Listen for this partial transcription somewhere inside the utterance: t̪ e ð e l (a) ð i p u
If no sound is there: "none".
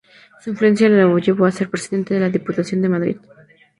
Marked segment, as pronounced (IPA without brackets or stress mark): a